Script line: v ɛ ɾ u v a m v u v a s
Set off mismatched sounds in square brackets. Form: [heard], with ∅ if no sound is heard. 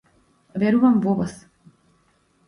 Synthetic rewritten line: v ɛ ɾ u v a m v [ɔ] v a s